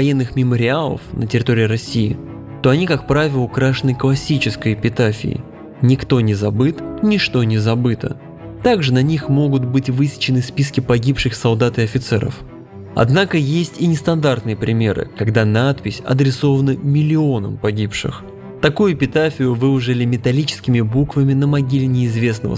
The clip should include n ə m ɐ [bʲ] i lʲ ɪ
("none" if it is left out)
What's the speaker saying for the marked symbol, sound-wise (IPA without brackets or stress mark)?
ɡʲ